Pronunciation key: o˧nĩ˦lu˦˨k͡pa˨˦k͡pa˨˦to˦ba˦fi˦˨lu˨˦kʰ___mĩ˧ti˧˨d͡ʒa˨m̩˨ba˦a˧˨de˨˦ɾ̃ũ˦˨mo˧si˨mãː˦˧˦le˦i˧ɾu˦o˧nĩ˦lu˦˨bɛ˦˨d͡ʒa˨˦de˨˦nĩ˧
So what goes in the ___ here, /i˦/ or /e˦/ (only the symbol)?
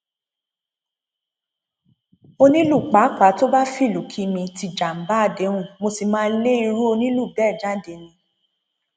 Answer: i˦